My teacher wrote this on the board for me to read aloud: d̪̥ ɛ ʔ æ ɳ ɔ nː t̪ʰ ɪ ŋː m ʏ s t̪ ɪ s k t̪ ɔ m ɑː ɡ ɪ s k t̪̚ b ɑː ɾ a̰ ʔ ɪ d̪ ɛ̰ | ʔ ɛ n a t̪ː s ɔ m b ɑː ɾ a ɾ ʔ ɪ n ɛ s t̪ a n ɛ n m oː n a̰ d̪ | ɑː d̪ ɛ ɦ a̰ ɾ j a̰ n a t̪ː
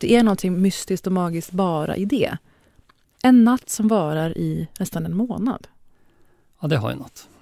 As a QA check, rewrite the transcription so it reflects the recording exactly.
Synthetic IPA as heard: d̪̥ ɛ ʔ æ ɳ ɔ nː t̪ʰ ɪ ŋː m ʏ s t̪ ɪ s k t̪ ɔ m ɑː ɡ ɪ s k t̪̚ b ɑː ɾ a̰ ʔ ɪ d̪ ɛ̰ | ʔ ɛ nː a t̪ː s ɔ m v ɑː ɾ a ɾ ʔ ɪ n ɛ s t̪ a n ɛ n m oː n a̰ d̪ | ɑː d̪ ɛ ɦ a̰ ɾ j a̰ n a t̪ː